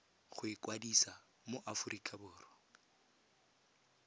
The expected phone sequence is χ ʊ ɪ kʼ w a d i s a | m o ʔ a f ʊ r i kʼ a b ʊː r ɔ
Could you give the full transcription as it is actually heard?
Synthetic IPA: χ ʊ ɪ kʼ w a d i s a | m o ʔ a f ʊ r i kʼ a b ʊː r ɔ